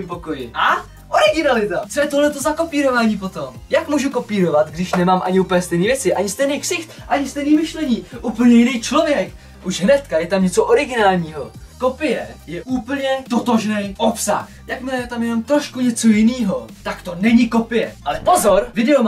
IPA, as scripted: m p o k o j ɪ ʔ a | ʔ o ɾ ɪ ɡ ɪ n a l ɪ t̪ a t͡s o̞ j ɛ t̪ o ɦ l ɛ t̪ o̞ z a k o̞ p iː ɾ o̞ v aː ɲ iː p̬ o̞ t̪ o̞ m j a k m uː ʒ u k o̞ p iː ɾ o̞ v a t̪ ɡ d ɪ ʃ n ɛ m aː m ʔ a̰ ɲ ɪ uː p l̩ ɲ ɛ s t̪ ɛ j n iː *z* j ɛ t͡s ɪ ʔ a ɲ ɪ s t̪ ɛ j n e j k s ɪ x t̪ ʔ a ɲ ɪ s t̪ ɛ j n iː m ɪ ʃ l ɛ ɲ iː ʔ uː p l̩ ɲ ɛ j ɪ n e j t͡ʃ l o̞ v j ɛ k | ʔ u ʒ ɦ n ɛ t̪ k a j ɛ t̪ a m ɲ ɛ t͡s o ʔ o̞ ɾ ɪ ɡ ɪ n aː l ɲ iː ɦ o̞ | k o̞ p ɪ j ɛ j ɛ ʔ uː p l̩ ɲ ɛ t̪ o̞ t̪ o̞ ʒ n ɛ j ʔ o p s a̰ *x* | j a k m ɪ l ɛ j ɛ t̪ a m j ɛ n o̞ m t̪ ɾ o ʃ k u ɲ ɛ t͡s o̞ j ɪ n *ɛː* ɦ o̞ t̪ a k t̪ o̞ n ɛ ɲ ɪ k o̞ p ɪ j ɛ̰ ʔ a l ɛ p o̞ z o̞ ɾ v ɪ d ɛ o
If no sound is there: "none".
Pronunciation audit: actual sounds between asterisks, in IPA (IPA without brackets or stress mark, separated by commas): v, x, iː